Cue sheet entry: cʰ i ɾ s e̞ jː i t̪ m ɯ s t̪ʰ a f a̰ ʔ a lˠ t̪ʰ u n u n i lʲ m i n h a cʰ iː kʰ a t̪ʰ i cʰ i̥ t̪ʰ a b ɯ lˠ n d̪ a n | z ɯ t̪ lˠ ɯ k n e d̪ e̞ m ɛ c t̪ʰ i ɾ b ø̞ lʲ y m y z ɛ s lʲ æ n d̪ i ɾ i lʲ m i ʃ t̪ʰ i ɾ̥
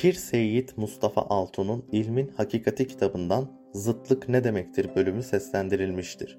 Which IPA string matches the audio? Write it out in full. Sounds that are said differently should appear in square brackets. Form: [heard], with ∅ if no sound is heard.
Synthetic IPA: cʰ i ɾ s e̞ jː i t̪ m [u] s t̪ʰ a f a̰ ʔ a lˠ t̪ʰ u n u n i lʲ m i n h a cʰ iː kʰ a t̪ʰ i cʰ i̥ t̪ʰ a b ɯ [∅] n d̪ a n | z ɯ t̪ lˠ ɯ k n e d̪ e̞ m ɛ c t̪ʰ i ɾ b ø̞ lʲ y m y [s] ɛ s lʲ æ n d̪ i ɾ i lʲ m i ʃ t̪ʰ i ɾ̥